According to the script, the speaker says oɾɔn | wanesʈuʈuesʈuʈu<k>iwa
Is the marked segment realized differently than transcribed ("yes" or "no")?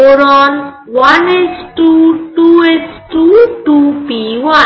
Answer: yes